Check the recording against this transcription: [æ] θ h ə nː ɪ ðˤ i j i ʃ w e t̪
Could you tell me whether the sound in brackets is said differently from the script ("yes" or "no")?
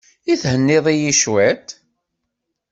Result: yes